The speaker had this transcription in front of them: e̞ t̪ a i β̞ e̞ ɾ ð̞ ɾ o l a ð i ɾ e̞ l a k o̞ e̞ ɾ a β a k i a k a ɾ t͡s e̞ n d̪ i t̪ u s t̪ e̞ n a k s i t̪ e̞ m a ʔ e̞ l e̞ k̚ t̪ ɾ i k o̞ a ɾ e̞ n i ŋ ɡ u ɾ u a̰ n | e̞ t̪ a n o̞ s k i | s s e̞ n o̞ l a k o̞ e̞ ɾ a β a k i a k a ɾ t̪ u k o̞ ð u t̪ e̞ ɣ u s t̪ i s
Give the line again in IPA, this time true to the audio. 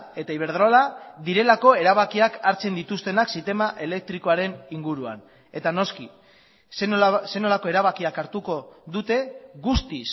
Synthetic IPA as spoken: e̞ t̪ a i β̞ e̞ ɾ ð̞ ɾ o l a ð i ɾ e̞ l a k o̞ e̞ ɾ a β a k i a k a ɾ t͡s e̞ n d̪ i t̪ u s t̪ e̞ n a k s i t̪ e̞ m a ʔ e̞ l e̞ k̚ t̪ ɾ i k o̞ a ɾ e̞ n i ŋ ɡ u ɾ u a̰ n | e̞ t̪ a n o̞ s k i | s s e̞ n o̞ l a k o̞ e̞ ɾ a β a k i a k a ɾ t̪ u k o̞ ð u t̪ e̞ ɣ u s t̪ i s